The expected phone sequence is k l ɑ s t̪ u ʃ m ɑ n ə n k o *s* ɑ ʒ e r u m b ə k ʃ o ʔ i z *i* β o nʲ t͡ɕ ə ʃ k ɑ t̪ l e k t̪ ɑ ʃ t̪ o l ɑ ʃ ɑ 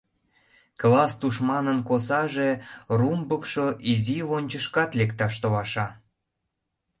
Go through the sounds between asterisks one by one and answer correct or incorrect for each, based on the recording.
correct, correct

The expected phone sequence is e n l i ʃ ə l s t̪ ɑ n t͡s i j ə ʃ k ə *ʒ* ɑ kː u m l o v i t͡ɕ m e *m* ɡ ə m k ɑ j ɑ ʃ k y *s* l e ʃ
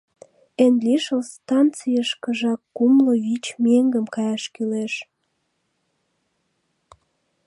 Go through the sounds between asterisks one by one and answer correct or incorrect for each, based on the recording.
correct, incorrect: ŋ, incorrect: none

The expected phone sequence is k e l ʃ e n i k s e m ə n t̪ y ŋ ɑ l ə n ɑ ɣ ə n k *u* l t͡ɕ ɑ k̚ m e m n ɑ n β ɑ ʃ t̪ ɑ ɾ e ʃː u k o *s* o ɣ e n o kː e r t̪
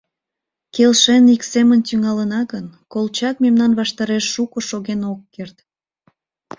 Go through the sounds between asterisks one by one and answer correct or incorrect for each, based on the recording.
incorrect: o, incorrect: ʃ

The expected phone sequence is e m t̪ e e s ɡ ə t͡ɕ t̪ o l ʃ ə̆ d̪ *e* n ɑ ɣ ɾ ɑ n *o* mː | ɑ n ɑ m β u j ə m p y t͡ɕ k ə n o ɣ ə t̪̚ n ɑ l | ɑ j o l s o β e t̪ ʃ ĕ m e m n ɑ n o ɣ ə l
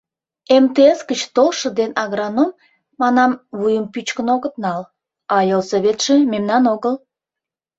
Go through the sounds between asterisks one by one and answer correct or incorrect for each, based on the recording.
correct, correct

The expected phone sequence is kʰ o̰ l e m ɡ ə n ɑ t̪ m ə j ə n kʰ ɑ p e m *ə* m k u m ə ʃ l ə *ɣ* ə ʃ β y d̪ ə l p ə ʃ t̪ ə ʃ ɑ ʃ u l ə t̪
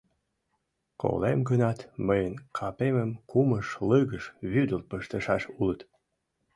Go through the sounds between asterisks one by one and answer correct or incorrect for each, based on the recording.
correct, correct

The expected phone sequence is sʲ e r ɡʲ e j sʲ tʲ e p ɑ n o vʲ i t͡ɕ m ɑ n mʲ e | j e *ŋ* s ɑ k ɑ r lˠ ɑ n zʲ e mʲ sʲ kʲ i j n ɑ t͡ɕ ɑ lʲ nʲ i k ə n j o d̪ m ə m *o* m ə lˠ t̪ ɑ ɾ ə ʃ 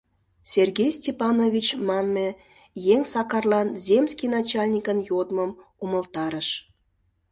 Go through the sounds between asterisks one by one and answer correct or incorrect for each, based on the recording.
correct, incorrect: u

